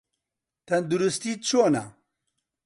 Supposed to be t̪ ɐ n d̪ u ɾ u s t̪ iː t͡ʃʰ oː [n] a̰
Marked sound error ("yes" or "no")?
no